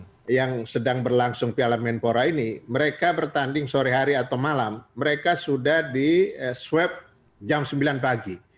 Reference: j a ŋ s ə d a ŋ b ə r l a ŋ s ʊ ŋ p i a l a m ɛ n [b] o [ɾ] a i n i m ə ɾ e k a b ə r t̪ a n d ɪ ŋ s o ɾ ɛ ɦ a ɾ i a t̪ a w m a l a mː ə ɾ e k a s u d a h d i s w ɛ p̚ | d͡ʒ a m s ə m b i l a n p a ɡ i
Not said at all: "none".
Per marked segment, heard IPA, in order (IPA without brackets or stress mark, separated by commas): p, ɾ